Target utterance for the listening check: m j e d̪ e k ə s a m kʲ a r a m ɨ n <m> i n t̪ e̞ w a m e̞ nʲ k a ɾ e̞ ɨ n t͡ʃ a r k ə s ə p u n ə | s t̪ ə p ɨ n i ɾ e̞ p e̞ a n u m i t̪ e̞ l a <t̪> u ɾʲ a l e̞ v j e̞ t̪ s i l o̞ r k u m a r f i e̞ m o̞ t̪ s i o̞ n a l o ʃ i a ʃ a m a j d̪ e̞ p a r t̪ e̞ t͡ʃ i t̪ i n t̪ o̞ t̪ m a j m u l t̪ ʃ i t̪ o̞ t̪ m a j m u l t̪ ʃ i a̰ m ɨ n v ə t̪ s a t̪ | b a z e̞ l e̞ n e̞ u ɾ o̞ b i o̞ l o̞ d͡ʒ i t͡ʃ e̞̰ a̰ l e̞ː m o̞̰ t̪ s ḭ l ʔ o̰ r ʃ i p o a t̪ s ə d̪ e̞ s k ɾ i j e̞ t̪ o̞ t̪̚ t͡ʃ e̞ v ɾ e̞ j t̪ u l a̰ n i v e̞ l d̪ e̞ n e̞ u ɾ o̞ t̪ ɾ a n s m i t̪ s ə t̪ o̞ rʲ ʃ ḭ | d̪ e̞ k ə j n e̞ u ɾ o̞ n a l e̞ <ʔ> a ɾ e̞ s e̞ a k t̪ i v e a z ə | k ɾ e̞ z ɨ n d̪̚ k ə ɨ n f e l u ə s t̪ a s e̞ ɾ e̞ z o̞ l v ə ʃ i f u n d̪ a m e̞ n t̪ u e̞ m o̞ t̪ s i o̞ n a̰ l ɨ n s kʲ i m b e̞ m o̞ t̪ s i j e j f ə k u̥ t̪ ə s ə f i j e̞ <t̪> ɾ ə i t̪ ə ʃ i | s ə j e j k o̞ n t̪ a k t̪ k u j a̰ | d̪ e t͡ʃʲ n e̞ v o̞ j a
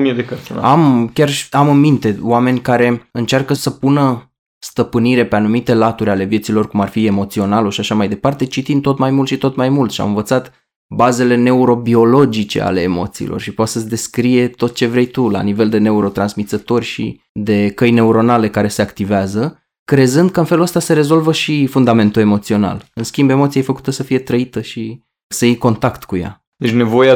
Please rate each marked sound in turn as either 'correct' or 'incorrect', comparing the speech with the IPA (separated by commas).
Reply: correct, correct, incorrect, correct